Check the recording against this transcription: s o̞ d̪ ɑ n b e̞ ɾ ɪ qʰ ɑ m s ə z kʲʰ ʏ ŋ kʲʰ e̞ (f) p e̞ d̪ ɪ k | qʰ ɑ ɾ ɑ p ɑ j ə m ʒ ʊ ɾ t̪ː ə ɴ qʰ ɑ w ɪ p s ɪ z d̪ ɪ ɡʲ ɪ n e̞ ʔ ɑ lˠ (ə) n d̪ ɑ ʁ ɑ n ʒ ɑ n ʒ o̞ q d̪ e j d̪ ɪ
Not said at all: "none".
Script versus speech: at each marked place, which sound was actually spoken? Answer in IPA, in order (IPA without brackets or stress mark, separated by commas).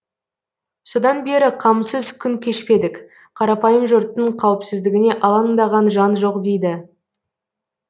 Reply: ʃ, ɑ